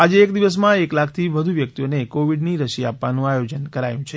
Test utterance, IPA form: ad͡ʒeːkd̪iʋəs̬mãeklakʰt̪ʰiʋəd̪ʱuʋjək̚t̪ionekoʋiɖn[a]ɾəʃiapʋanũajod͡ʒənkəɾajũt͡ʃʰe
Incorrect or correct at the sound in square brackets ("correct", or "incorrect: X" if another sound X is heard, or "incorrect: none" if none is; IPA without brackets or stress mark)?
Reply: incorrect: i